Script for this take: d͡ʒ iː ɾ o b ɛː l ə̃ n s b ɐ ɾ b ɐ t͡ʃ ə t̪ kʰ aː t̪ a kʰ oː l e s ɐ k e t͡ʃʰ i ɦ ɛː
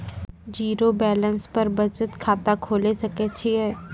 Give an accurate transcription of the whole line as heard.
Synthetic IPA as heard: d͡ʒ iː ɾ o b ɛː l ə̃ n s p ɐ ɾ b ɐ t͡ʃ ə t̪ kʰ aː t̪ a kʰ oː l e s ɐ k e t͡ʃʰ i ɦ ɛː